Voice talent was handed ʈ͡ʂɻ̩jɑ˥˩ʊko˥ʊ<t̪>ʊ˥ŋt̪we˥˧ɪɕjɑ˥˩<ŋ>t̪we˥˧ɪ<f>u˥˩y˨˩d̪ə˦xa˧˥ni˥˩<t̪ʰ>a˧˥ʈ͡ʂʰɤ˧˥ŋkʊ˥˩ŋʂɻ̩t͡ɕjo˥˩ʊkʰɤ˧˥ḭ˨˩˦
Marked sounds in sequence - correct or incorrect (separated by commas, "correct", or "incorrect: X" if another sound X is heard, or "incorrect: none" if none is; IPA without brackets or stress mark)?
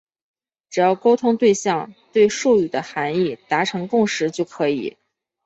incorrect: t̪ʰ, correct, incorrect: ʂ, incorrect: t̪